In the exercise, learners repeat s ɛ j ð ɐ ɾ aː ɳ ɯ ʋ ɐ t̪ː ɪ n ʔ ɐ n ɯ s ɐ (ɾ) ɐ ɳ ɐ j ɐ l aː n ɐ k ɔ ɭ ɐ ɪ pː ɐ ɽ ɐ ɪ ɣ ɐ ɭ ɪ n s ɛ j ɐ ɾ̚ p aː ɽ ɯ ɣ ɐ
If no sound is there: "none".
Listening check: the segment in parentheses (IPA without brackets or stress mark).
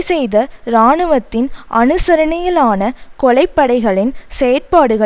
ɾ